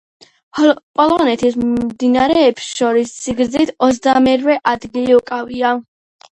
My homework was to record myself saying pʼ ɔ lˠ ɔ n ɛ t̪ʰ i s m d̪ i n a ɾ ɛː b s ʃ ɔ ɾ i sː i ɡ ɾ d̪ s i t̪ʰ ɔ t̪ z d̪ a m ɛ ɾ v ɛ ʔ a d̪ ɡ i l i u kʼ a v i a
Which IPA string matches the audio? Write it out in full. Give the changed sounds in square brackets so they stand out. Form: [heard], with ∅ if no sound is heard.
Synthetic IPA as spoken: pʼ ɔ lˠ ɔ n ɛ t̪ʰ i s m d̪ i n a ɾ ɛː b s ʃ ɔ ɾ i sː i ɡ ɾ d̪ [z] i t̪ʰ ɔ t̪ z d̪ a m ɛ ɾ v ɛ ʔ a d̪ ɡ i l i u kʼ a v i a